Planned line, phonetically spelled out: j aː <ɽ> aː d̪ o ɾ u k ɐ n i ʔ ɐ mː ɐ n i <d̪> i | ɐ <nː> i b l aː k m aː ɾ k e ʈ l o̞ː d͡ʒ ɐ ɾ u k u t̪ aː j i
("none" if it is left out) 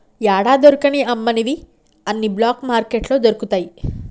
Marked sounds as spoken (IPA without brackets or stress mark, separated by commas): ɽ, d̪, nː